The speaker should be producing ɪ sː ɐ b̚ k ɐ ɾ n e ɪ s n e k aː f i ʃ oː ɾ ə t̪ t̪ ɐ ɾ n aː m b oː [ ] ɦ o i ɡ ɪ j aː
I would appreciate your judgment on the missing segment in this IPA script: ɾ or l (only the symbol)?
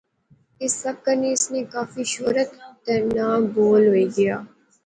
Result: l